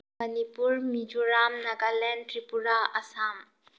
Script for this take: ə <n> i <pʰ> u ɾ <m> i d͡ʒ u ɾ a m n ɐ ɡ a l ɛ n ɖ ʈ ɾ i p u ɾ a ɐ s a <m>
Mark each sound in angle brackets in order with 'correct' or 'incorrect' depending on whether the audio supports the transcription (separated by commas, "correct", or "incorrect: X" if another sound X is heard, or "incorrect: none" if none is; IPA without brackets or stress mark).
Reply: correct, incorrect: p, correct, correct